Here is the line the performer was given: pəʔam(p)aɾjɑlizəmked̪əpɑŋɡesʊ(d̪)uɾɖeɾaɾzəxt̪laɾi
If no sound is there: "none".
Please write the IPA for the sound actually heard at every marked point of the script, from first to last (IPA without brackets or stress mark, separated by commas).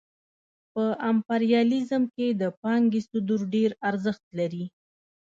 p, d̪